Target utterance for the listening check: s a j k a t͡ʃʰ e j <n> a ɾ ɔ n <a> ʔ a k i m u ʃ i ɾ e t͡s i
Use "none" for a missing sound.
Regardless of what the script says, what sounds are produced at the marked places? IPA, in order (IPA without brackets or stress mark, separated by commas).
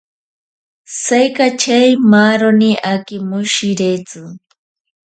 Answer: m, i